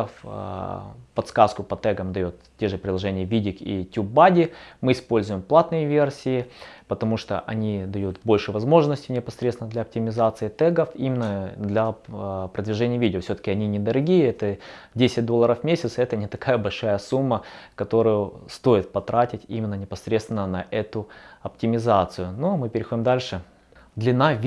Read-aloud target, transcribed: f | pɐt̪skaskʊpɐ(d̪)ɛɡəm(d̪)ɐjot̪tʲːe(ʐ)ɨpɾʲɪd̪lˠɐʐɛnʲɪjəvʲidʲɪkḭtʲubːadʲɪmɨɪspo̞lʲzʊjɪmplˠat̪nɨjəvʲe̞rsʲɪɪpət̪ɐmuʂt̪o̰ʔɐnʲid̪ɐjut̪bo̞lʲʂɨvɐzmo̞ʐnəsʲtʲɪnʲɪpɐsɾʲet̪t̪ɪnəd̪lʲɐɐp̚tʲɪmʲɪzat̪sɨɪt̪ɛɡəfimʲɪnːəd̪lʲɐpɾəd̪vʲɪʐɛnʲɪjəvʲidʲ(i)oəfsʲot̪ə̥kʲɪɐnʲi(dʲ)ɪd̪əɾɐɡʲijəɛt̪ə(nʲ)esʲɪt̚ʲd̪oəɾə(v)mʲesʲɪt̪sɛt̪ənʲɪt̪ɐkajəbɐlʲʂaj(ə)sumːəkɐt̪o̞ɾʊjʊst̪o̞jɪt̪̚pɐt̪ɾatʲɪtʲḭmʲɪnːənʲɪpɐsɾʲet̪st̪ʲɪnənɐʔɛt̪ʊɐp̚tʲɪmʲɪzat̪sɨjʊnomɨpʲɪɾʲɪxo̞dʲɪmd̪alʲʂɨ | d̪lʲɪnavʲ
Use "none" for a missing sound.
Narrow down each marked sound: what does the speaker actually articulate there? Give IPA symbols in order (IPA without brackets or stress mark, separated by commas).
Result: t̪, d̪, ʐ, ɪ, nʲ, dʲ, f, ə